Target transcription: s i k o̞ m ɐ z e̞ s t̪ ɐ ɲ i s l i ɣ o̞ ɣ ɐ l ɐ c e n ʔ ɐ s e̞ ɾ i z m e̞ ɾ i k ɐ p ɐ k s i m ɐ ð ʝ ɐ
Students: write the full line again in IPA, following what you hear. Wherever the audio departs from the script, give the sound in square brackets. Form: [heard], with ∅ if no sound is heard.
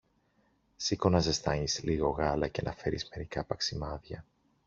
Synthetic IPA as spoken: s i k o̞ [n] ɐ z e̞ s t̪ ɐ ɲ i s l i ɣ o̞ ɣ ɐ l ɐ c e n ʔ ɐ [f] e̞ ɾ i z m e̞ ɾ i k ɐ p ɐ k s i m ɐ ð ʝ ɐ